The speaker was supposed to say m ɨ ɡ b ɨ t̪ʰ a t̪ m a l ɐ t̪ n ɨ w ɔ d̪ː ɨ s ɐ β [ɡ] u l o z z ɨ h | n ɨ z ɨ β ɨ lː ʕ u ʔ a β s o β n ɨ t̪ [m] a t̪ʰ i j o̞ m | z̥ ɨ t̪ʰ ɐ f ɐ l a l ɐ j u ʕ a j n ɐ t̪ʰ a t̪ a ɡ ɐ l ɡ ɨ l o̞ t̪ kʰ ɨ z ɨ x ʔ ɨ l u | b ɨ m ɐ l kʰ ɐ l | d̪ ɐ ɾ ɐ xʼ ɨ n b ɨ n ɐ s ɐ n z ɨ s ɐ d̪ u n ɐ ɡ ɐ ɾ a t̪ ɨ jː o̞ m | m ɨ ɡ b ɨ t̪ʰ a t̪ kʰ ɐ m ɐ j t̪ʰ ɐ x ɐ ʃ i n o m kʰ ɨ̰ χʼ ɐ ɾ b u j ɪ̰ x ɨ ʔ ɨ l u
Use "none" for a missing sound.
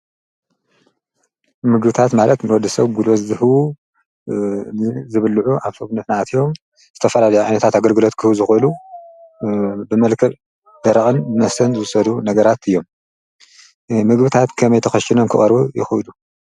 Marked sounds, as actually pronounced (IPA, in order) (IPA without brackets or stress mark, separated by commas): ɡ, n